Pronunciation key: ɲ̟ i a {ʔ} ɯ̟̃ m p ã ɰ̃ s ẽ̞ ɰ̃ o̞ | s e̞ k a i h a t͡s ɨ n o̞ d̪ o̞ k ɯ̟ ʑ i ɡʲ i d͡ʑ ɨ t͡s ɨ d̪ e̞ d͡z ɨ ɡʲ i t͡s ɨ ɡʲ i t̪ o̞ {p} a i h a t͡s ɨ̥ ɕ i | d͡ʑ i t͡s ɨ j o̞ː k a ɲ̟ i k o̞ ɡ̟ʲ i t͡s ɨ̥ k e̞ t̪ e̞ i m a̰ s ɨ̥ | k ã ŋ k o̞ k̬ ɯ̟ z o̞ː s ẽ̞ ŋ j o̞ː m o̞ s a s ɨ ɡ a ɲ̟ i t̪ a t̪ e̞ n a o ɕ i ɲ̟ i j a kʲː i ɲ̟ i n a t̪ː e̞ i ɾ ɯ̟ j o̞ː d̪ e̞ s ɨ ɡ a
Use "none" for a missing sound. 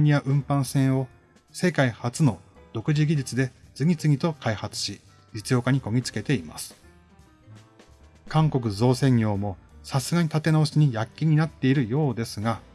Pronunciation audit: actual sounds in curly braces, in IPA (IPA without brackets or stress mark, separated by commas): ʔ, k